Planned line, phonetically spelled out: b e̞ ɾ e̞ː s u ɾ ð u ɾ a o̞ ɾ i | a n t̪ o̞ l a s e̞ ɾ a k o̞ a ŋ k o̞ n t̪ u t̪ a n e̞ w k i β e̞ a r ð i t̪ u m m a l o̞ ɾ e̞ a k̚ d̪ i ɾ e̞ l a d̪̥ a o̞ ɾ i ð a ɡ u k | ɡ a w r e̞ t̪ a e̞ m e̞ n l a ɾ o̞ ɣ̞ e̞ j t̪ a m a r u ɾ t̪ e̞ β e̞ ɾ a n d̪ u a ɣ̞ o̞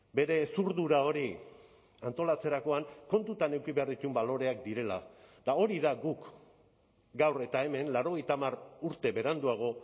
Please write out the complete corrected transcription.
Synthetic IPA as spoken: b e̞ ɾ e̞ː s u ɾ ð u ɾ a o̞ ɾ i | a n t̪ o̞ l a t͡s e̞ ɾ a k o̞ a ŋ k o̞ n t̪ u t̪ a n e̞ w k i β e̞ a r ð i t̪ u m b a l o̞ ɾ e̞ a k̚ d̪ i ɾ e̞ l a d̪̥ a o̞ ɾ i ð a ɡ u k | ɡ a w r e̞ t̪ a e̞ m e̞ n l a ɾ o̞ ɣ̞ e̞ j t̪ a m a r u ɾ t̪ e̞ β e̞ ɾ a n d̪ u a ɣ̞ o̞

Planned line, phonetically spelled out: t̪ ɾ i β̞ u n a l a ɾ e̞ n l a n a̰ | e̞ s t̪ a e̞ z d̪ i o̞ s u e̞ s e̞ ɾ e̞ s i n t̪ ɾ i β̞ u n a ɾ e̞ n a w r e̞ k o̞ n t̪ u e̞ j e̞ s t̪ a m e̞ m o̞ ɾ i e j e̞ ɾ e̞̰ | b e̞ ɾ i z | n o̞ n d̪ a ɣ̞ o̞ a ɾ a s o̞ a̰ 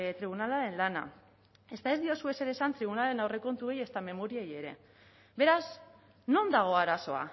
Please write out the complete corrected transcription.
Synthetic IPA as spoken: t̪ ɾ i β̞ u n a l a ɾ e̞ n l a n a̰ | e̞ s t̪ a e̞ z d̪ i o̞ s u e̞ s e̞ ɾ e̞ s a n t̪ ɾ i β̞ u n a l e̞ n a w r e̞ k o̞ n t̪ u e̞ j e̞ s t̪ a m e̞ m o̞ ɾ i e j e̞ ɾ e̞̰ | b e̞ ɾ a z | n o̞ n d̪ a ɣ̞ o̞ a ɾ a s o̞ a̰

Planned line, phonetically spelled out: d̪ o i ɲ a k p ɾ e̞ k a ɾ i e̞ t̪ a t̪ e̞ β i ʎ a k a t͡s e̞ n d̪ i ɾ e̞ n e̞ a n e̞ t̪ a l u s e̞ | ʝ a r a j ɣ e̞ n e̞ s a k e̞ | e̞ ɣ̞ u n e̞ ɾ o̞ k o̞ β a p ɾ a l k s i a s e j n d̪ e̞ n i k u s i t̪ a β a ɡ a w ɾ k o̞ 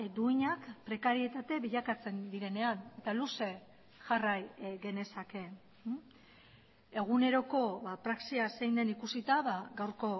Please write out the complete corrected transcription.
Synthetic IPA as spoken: d̪ u i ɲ a k p ɾ e̞ k a ɾ i e̞ t̪ a t̪ e̞ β i ʎ a k a t͡s e̞ n d̪ i ɾ e̞ n e̞ a n e̞ t̪ a l u s e̞ | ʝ a r a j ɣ e̞ n e̞ s a k e̞ | e̞ ɣ̞ u n e̞ ɾ o̞ k o̞ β a p ɾ a k s i a s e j n d̪ e̞ n i k u s i t̪ a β a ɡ a w ɾ k o̞

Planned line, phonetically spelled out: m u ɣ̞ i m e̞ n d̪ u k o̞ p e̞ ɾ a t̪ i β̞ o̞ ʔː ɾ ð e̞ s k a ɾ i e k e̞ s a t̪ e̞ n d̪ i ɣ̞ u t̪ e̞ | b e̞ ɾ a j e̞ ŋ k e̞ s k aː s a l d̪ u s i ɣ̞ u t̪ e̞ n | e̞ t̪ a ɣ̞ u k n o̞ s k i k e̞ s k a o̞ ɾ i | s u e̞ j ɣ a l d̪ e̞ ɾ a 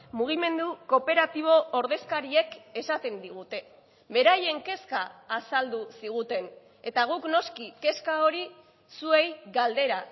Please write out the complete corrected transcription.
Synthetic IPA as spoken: m u ɣ̞ i m e̞ n d̪ u k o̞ p e̞ ɾ a t̪ i β̞ o̞ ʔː ɾ ð e̞ s k a ɾ i e k e̞ s a t̪ e̞ n d̪ i ɣ̞ u t̪ e̞ | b e̞ ɾ a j e̞ ŋ k e̞ s k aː s a l d̪ u s i ɣ̞ u t̪ e̞ n | e̞ t̪ a ɣ̞ u k n o̞ s k i k e̞ s k a o̞ ɾ i | s u e̞ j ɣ a l d̪ e̞ ɾ a

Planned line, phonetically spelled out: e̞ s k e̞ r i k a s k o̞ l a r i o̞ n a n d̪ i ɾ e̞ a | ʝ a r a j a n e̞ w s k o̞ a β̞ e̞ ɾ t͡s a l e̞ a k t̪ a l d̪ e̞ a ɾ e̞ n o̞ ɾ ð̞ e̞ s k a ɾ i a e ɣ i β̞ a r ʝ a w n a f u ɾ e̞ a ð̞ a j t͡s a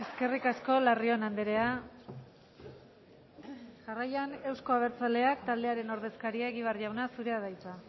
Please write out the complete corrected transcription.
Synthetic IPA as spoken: e̞ s k e̞ r i k a s k o̞ l a r i o̞ n a n d̪ e ɾ e̞ a | ʝ a r a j a n e̞ w s k o̞ a β̞ e̞ ɾ t͡s a l e̞ a k t̪ a l d̪ e̞ a ɾ e̞ n o̞ ɾ ð̞ e̞ s k a ɾ i a e ɣ i β̞ a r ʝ a w n a s u ɾ e̞ a ð̞ a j t͡s a

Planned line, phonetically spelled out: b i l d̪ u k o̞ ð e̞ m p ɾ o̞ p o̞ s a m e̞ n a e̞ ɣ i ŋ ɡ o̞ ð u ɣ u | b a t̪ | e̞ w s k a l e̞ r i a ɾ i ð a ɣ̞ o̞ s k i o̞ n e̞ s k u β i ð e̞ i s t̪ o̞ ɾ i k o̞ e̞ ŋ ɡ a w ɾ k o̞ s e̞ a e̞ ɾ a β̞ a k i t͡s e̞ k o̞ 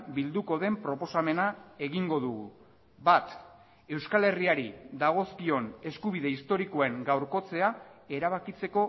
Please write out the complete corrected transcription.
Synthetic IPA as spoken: b i l d̪ u k o̞ ð e̞ m p ɾ o̞ p o̞ s a m e̞ n a e̞ ɣ i ŋ ɡ o̞ ð u ɣ u | b a t̪ | e̞ w s k a l e̞ r i a ɾ i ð a ɣ̞ o̞ s k i o̞ n e̞ s k u β i ð e̞ i s t̪ o̞ ɾ i k o̞ e̞ ŋ ɡ a w ɾ k o̞ t͡s e̞ a e̞ ɾ a β̞ a k i t͡s e̞ k o̞

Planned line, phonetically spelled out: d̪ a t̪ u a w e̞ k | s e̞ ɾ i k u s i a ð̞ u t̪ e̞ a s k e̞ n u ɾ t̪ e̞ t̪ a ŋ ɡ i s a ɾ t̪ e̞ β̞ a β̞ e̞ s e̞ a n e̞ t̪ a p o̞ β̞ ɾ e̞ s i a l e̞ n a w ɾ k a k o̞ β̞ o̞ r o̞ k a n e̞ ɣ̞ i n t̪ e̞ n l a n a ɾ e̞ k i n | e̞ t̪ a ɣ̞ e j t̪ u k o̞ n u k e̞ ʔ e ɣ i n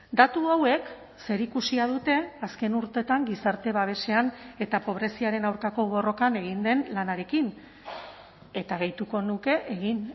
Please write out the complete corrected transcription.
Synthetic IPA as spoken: d̪ a t̪ u a w e̞ k | s e̞ ɾ i k u s i a ð̞ u t̪ e̞ a s k e̞ n u ɾ t̪ e̞ t̪ a ŋ ɡ i s a ɾ t̪ e̞ β̞ a β̞ e̞ s e̞ a n e̞ t̪ a p o̞ β̞ ɾ e̞ s i a ɾ e̞ n a w ɾ k a k o̞ β̞ o̞ r o̞ k a n e̞ ɣ̞ i n d̪ e̞ n l a n a ɾ e̞ k i n | e̞ t̪ a ɣ̞ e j t̪ u k o̞ n u k e̞ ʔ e ɣ i n

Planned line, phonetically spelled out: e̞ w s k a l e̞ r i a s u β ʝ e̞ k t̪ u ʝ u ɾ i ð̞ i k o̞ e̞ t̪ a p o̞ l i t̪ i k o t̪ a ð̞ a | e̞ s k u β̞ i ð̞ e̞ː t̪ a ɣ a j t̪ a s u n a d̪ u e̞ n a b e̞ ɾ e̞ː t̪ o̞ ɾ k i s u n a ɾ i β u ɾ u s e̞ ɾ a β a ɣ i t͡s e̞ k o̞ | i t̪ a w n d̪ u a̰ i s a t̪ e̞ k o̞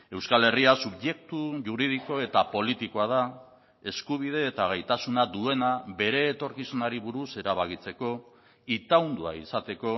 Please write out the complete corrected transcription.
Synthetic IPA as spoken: e̞ w s k a l e̞ r i a s u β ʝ e̞ k t̪ u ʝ u ɾ i ð̞ i k o̞ e̞ t̪ a p o̞ l i t̪ i k o a ð̞ a | e̞ s k u β̞ i ð̞ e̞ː t̪ a ɣ a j t̪ a s u n a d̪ u e̞ n a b e̞ ɾ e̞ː t̪ o̞ ɾ k i s u n a ɾ i β u ɾ u s e̞ ɾ a β a ɣ i t͡s e̞ k o̞ | i t̪ a w n d̪ u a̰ i s a t̪ e̞ k o̞

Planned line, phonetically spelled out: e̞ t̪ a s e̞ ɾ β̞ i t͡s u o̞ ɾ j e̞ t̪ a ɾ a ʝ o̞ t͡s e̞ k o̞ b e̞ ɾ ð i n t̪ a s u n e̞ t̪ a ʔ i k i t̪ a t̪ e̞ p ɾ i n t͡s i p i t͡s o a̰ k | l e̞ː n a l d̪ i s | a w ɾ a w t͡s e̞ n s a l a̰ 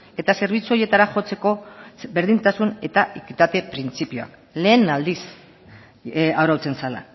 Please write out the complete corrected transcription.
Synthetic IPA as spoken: e̞ t̪ a s e̞ ɾ β̞ i t͡s u o̞ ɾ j e̞ t̪ a ɾ a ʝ o̞ t͡s e̞ k o̞ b e̞ ɾ ð i n t̪ a s u n e̞ t̪ a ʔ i k i t̪ a t̪ e̞ p ɾ i n t͡s i p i o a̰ k | l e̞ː n a l d̪ i s | a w ɾ a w t͡s e̞ n s a l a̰

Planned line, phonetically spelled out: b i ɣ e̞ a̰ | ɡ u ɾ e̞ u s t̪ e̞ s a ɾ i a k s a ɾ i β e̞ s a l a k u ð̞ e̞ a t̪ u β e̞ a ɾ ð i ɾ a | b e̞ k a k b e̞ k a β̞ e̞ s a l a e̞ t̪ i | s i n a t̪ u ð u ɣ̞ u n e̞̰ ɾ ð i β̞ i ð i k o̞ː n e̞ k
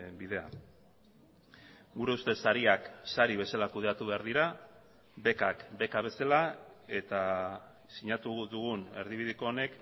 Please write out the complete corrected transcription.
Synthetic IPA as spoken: b i ð e̞ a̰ | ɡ u ɾ e̞ u s t̪ e̞ s a ɾ i a k s a ɾ i β e̞ s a l a k u ð̞ e̞ a t̪ u β e̞ a ɾ ð i ɾ a | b e̞ k a k b e̞ k a β̞ e̞ s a l a e̞ t̪ a | s i ɲ a t̪ u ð u ɣ̞ u n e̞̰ ɾ ð i β̞ i ð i k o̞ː n e̞ k

